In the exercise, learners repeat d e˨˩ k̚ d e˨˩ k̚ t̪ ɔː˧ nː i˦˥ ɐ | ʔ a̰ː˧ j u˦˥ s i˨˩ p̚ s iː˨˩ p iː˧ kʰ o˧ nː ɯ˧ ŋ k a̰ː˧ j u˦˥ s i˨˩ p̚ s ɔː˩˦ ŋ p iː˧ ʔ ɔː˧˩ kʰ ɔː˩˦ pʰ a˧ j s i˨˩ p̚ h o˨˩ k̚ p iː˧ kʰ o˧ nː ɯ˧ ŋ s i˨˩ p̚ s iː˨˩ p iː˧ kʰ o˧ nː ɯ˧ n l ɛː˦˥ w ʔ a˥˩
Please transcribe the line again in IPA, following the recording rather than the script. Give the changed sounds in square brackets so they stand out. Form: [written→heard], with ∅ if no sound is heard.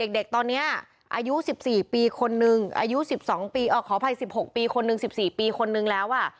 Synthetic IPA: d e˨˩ k̚ d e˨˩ k̚ t̪ ɔː˧ nː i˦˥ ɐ | ʔ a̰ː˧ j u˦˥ s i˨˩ p̚ s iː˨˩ p iː˧ kʰ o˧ nː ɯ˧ ŋ [k→ʔ] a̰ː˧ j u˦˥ s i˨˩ p̚ s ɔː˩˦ ŋ p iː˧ ʔ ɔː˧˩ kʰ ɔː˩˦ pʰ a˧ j s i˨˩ p̚ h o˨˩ k̚ p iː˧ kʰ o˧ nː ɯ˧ ŋ s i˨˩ p̚ s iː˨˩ p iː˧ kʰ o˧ nː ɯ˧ [n→ŋ] l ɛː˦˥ w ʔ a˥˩